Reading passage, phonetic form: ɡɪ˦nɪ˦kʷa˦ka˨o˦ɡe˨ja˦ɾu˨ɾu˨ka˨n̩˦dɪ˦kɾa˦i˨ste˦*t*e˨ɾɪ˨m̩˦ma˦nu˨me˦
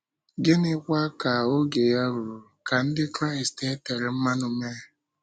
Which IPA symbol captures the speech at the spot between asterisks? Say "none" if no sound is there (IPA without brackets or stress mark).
t